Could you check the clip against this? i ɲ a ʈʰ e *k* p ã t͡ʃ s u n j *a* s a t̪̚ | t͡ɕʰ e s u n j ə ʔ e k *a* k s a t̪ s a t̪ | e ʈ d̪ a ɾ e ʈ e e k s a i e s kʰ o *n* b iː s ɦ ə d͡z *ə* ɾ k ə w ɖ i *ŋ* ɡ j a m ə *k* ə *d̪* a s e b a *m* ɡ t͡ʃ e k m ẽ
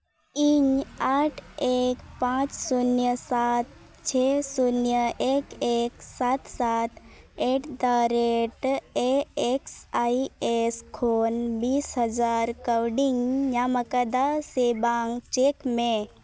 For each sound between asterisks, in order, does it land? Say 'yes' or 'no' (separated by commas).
yes, no, no, yes, no, yes, yes, yes, no